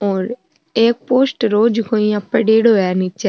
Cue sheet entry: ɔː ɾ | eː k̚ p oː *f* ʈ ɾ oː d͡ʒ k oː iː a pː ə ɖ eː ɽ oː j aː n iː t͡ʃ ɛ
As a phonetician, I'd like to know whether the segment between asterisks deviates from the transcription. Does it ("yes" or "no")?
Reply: yes